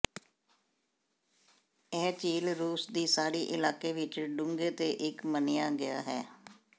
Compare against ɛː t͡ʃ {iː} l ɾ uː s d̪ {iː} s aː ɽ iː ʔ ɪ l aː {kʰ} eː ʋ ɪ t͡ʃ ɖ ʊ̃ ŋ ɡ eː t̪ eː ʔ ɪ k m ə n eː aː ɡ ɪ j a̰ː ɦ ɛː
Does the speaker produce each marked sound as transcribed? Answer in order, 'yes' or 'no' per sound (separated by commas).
yes, yes, no